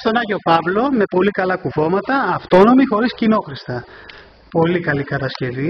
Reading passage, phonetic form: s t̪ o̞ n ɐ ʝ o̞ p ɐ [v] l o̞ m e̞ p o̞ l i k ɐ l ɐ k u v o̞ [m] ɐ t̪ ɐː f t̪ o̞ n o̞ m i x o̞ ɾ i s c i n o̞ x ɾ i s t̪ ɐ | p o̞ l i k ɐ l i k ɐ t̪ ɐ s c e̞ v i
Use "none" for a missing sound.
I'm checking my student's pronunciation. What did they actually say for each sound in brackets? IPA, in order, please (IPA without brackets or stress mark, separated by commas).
v, m